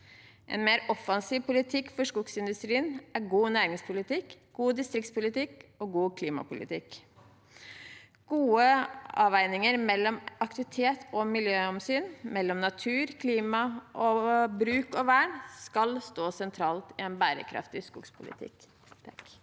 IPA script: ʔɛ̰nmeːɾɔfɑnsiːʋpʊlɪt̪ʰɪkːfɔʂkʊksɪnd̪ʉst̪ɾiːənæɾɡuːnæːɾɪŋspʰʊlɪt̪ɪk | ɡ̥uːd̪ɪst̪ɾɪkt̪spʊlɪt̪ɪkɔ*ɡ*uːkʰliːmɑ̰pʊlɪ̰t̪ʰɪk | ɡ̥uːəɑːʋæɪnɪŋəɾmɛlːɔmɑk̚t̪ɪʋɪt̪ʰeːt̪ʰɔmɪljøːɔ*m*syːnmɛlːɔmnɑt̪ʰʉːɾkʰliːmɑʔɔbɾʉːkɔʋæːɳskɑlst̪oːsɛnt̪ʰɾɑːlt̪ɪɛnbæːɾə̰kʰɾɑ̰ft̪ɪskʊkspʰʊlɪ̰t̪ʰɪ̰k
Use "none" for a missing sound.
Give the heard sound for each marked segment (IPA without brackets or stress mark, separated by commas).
ɡ, m